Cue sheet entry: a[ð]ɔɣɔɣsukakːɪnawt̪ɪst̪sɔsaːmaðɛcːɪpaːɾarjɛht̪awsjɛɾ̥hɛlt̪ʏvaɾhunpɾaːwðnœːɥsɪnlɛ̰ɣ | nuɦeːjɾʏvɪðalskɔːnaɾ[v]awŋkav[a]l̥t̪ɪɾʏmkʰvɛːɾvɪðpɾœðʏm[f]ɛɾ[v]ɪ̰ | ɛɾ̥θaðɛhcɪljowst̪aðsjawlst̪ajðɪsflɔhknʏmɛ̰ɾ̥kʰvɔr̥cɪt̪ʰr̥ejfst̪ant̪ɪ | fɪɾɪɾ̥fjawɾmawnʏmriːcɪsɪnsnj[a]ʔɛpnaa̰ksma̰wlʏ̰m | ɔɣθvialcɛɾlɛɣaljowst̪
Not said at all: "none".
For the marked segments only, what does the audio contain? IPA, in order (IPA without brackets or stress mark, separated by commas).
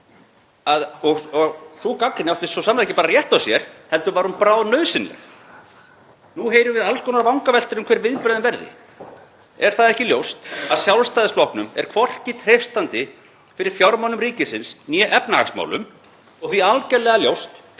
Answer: ð, v, ɛ, v, ð, ɛ